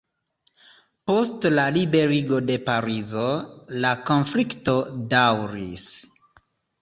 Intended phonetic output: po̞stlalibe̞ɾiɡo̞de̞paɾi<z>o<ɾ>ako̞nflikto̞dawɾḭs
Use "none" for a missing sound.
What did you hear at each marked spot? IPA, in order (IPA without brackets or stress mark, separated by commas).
z, l